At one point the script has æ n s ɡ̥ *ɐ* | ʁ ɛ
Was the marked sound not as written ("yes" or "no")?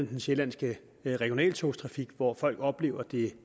yes